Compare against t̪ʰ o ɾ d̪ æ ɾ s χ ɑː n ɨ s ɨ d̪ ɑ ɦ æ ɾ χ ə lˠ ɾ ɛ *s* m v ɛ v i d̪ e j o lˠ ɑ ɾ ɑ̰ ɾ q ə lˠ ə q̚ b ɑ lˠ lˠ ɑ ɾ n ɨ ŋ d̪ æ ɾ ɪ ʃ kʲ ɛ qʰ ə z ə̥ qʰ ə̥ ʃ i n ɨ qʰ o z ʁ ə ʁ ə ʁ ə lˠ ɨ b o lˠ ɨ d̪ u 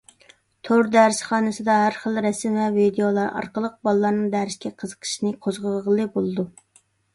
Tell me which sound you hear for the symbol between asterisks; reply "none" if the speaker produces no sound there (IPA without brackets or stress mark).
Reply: s